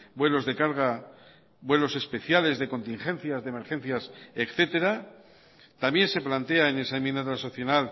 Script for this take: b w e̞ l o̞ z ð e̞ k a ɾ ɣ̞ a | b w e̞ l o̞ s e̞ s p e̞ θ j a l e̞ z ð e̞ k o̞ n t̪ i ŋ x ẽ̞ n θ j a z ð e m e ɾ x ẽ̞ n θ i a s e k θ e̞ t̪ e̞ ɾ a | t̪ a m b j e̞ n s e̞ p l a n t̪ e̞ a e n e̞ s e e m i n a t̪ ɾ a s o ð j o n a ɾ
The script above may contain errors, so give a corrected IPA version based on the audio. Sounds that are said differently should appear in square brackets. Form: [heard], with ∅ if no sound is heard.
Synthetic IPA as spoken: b w e̞ l o̞ z ð e̞ k a ɾ ɣ̞ a | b w e̞ l o̞ s e̞ s p e̞ θ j a l e̞ z ð e̞ k o̞ n t̪ i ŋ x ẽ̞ n θ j a z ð e m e ɾ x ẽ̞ n θ [j] a s e k θ e̞ t̪ e̞ ɾ a | t̪ a m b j e̞ n s e̞ p l a n t̪ e̞ a e n e̞ s [a] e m i n a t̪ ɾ a s o [θ] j o n a [l]